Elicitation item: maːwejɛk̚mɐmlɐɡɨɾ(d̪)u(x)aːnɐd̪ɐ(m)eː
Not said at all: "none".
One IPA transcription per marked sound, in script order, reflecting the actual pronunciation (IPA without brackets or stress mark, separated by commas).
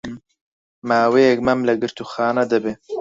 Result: t̪, x, b